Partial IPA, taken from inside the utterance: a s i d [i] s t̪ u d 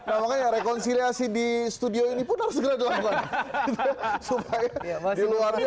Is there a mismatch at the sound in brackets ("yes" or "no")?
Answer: no